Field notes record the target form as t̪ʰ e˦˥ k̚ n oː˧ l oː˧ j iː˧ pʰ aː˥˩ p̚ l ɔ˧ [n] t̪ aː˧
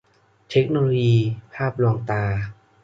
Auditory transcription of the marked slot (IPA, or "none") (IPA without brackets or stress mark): ŋ